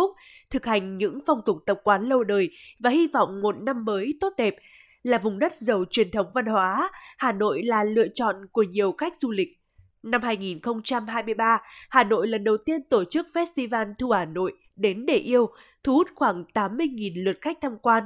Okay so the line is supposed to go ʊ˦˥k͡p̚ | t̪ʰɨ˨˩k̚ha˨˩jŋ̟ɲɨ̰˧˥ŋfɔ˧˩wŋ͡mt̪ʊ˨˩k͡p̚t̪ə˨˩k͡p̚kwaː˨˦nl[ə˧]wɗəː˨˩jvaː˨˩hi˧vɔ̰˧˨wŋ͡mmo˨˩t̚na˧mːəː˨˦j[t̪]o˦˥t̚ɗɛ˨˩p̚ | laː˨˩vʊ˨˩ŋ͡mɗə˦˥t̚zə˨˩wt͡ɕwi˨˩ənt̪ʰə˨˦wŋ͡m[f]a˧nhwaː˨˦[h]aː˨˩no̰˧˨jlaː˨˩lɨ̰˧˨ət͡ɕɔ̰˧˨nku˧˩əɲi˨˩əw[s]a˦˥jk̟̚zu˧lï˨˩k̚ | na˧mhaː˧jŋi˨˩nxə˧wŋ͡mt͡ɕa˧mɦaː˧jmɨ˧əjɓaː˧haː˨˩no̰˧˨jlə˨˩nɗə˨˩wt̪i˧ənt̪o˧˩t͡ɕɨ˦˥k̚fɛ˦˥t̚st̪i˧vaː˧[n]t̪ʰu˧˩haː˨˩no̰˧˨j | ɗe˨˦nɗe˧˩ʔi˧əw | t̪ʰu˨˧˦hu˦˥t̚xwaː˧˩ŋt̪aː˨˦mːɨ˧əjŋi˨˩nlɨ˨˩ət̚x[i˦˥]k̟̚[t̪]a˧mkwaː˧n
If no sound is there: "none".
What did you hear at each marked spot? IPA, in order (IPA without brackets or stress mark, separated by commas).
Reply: ə˧, t̪, v, h, x, n, a˦˥, t̪ʰ